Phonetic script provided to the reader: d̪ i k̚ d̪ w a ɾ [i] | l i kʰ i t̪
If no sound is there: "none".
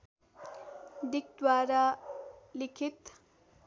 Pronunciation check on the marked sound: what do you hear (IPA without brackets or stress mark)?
a